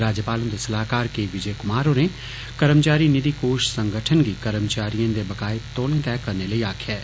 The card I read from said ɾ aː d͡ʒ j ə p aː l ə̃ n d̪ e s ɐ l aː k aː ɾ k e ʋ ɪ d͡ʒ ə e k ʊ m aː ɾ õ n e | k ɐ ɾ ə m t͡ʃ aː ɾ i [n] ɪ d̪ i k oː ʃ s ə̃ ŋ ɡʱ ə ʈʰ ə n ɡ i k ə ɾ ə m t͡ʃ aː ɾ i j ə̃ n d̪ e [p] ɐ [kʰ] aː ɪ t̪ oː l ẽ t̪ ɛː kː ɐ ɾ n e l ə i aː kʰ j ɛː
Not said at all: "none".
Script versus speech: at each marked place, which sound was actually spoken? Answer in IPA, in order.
n, b, k

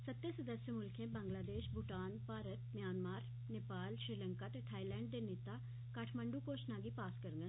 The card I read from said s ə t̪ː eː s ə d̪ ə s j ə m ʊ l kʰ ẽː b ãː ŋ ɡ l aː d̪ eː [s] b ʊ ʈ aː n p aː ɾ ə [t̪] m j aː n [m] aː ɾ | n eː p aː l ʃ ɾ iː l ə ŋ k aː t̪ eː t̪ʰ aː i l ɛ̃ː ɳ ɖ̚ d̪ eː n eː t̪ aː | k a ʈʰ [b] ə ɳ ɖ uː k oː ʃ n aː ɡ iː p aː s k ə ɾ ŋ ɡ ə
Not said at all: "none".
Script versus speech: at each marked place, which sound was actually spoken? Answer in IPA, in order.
ʃ, t̪, m, m

